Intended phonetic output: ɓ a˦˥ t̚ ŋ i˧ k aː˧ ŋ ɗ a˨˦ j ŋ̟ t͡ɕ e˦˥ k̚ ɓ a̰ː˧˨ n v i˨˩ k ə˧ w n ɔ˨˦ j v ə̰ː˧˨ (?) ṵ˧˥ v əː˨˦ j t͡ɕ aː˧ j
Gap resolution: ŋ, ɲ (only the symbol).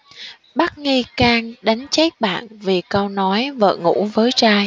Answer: ŋ